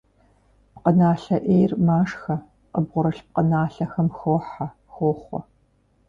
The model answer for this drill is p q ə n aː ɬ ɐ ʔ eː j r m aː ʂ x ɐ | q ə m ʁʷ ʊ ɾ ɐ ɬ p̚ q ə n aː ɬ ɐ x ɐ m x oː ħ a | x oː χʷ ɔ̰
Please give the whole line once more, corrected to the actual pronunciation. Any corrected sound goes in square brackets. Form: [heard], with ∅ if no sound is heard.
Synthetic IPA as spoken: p q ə n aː ɬ ɐ ʔ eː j r m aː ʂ x ɐ | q ə [b] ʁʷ ʊ ɾ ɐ ɬ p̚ q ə n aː ɬ ɐ x ɐ m x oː ħ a | x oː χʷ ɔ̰

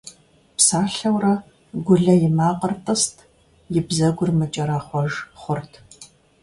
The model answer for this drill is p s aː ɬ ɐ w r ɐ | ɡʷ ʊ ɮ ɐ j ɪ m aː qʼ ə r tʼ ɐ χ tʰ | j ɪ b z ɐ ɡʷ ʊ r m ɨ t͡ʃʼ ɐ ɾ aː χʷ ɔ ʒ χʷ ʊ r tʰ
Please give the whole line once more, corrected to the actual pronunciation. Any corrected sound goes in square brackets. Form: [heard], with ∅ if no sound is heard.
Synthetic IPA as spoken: p s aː ɬ ɐ w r ɐ | ɡʷ ʊ ɮ ɐ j ɪ m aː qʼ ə r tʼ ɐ [s] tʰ | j ɪ b z ɐ ɡʷ ʊ r m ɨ t͡ʃʼ ɐ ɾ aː χʷ ɔ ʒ χʷ ʊ r tʰ

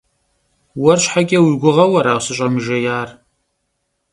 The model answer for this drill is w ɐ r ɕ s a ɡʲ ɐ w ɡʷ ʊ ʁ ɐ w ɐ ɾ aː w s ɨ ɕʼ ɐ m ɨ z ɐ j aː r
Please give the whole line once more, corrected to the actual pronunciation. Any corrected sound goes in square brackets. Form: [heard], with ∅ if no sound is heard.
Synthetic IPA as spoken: w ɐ r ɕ [ħ] a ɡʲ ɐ w ɡʷ ʊ ʁ ɐ w ɐ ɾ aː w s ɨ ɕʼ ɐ m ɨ [ʒ] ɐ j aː r

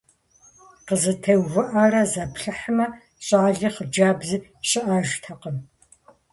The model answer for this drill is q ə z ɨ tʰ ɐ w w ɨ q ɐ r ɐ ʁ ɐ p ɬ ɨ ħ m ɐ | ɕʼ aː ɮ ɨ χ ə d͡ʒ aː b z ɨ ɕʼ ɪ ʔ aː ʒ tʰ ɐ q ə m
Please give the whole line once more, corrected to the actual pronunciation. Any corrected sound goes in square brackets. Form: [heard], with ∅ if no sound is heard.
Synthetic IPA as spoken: q ə z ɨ tʰ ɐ w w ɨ [ʔ] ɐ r ɐ [z] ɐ p ɬ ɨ ħ m ɐ | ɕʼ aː ɮ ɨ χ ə d͡ʒ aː b z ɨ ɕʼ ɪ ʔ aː ʒ tʰ ɐ q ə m

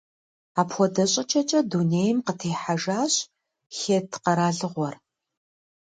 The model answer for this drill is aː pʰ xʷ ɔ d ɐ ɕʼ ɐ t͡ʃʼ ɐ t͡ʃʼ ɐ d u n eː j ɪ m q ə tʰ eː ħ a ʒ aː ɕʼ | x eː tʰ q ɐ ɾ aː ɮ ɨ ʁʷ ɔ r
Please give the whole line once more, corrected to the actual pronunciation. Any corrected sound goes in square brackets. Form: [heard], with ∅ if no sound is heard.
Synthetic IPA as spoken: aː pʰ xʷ ɔ d ɐ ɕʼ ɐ t͡ʃʼ ɐ t͡ʃʼ ɐ d u n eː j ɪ m q ə tʰ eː ħ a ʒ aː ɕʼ | x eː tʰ q ɐ ɾ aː ɮ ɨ ʁʷ ɔ r

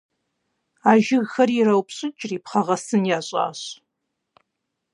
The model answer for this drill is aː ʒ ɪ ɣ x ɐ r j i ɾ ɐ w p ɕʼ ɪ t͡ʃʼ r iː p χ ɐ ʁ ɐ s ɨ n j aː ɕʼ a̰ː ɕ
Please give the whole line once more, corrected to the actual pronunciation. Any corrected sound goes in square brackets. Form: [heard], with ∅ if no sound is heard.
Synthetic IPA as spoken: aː ʒ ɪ ɣ x ɐ r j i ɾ ɐ w p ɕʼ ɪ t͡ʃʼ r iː p χ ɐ ʁ ɐ s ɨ n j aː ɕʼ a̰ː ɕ

